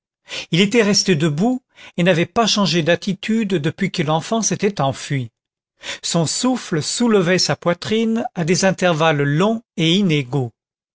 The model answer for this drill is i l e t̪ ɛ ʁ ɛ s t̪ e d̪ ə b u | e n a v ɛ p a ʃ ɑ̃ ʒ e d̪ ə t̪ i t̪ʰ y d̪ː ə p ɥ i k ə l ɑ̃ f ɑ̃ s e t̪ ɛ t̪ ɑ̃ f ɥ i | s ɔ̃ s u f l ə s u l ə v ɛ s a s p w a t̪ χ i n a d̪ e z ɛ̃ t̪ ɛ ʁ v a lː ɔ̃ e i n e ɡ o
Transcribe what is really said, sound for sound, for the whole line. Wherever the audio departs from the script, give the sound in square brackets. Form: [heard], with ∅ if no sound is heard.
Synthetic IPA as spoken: i l e t̪ ɛ ʁ ɛ s t̪ e d̪ ə b u | e n a v ɛ p a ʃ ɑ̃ ʒ e d̪ [a] t̪ i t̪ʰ y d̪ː ə p ɥ i k ə l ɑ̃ f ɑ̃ s e t̪ ɛ t̪ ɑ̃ f ɥ i | s ɔ̃ s u f l ə s u l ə v ɛ s a [∅] p w a t̪ χ i n a d̪ e z ɛ̃ t̪ ɛ ʁ v a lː ɔ̃ e i n e ɡ o